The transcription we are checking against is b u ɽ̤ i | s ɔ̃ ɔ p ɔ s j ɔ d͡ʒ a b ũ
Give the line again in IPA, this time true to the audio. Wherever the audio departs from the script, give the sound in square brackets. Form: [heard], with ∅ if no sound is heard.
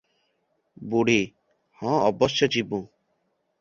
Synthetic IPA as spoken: b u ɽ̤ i | [h] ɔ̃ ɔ [b] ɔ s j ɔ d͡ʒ [i] b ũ